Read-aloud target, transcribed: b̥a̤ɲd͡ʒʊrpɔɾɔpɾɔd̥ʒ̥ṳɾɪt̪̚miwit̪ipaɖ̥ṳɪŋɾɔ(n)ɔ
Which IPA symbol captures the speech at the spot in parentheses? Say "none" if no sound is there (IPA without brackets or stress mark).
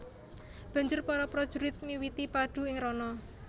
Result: n